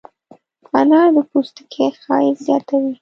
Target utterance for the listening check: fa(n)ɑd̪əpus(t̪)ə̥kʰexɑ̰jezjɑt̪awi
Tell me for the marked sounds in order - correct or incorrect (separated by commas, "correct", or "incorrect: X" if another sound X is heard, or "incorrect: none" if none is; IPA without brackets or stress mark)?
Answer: correct, correct